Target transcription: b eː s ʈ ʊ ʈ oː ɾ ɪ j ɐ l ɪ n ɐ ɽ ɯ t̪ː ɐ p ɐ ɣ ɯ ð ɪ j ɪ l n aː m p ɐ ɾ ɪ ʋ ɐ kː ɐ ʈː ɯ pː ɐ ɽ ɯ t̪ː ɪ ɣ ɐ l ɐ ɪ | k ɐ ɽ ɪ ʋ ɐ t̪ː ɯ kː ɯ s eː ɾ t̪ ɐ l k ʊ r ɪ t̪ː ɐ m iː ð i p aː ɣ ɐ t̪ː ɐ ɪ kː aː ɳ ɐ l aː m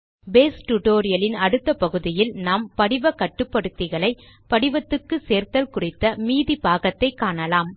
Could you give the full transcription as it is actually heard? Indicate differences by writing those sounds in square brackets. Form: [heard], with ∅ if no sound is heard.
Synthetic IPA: b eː s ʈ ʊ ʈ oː ɾ ɪ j ɐ l ɪ n ɐ ɽ ɯ t̪ː ɐ p ɐ ɣ ɯ ð ɪ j ɪ l n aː m p ɐ [ɽ] ɪ ʋ ɐ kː ɐ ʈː ɯ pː ɐ ɽ ɯ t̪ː ɪ ɣ ɐ [ɭ] ɐ ɪ | [p] ɐ ɽ ɪ ʋ ɐ t̪ː ɯ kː ɯ s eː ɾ t̪ ɐ l k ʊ r ɪ t̪ː ɐ m iː ð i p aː ɣ ɐ t̪ː ɐ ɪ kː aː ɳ ɐ l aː m